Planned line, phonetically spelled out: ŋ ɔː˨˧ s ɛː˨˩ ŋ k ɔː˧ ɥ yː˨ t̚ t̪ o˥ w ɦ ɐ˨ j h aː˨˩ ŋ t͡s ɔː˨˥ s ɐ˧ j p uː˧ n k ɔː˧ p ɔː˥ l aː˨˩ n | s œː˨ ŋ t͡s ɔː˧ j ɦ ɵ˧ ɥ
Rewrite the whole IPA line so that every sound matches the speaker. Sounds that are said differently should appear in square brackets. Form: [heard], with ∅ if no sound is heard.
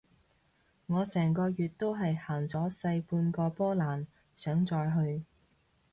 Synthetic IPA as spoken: ŋ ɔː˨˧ s ɛː˨˩ ŋ k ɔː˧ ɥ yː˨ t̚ t̪ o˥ w ɦ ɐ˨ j h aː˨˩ ŋ t͡s ɔː˨˥ s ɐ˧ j p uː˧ n k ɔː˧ p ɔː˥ l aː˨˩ n | s [œː˨˥] ŋ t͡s ɔː˧ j ɦ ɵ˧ ɥ